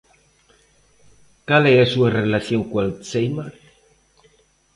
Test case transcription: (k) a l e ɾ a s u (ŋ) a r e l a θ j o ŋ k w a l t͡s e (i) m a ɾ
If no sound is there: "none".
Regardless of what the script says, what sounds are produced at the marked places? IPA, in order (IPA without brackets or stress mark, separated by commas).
k, none, j